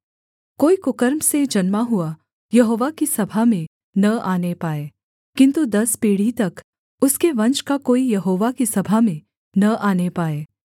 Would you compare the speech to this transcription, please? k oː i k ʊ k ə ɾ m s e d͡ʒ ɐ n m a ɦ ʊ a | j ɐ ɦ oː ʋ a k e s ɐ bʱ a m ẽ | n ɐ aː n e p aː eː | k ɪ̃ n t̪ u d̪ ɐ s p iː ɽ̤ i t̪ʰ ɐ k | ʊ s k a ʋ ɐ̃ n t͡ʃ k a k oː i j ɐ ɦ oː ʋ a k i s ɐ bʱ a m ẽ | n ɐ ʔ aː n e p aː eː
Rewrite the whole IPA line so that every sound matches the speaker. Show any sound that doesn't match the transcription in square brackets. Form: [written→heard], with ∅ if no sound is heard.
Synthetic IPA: k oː i k ʊ k ə ɾ m s e d͡ʒ ɐ n m a ɦ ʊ a | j ɐ ɦ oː ʋ a k [e→i] s ɐ bʱ a m ẽ | n ɐ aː n e p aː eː | k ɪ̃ n t̪ u d̪ ɐ s p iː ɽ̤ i [t̪ʰ→t̪] ɐ k | ʊ s k [a→e] ʋ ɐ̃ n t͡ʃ k a k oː i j ɐ ɦ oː ʋ a k i s ɐ bʱ a m ẽ | n ɐ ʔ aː n e p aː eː